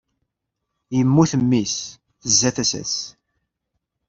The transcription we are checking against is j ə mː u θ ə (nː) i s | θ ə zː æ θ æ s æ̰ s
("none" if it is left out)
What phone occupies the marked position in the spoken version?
mː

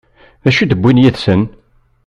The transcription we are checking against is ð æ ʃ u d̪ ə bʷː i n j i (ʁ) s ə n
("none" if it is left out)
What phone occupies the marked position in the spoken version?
ð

